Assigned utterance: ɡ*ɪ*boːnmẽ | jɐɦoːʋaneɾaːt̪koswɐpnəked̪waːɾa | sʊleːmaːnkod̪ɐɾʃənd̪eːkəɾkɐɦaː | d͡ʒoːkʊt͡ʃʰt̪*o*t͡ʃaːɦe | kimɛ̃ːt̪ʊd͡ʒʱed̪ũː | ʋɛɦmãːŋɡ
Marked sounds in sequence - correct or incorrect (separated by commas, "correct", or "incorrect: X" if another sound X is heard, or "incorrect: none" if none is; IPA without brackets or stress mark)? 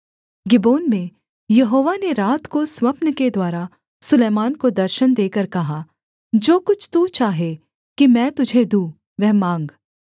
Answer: correct, incorrect: u